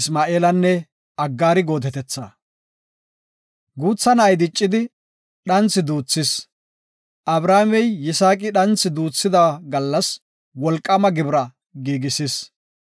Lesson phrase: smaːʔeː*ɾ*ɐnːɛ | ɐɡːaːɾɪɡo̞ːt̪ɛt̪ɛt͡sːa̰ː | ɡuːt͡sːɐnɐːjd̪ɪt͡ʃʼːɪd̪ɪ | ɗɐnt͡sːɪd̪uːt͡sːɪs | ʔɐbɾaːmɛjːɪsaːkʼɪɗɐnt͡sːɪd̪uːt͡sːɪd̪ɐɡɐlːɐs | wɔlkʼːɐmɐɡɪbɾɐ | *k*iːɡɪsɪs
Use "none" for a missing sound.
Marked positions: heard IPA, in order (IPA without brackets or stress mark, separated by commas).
l, ɡ